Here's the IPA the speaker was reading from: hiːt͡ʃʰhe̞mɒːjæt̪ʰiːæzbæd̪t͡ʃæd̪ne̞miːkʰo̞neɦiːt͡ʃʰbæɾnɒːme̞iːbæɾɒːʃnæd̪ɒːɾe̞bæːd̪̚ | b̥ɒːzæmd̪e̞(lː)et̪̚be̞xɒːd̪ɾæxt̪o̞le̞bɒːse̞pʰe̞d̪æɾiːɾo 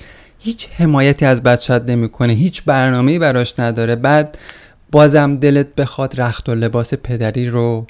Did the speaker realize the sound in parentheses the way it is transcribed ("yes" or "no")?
no